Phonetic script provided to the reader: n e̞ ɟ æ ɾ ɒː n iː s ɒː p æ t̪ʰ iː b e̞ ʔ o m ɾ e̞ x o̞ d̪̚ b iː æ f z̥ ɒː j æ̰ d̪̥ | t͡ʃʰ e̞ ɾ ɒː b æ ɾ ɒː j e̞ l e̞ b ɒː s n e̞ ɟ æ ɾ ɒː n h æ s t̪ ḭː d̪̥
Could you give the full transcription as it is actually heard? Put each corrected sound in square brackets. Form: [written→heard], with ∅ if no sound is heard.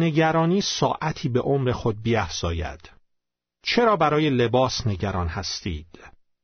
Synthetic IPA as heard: n e̞ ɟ æ ɾ ɒː n iː s ɒː [p→ʔ] æ t̪ʰ iː b e̞ ʔ o m ɾ e̞ x o̞ d̪̚ b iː æ f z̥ ɒː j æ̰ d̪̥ | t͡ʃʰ e̞ ɾ ɒː b æ ɾ ɒː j e̞ l e̞ b ɒː s n e̞ ɟ æ ɾ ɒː n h æ s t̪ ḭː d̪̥